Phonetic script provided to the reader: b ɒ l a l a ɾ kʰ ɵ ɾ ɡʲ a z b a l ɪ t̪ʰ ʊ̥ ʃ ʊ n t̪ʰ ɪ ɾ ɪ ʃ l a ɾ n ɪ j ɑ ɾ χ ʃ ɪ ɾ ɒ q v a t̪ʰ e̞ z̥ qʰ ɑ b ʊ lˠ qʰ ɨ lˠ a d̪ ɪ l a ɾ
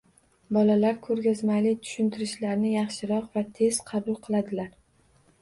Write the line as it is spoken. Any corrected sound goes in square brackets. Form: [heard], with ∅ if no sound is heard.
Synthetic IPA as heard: b ɒ l a l a ɾ kʰ ɵ ɾ ɡʲ a z [m] a l ɪ t̪ʰ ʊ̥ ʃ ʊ n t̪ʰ ɪ ɾ ɪ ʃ l a ɾ n ɪ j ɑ [∅] χ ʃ ɪ ɾ ɒ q v a t̪ʰ e̞ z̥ qʰ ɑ b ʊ lˠ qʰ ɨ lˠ a d̪ ɪ l a ɾ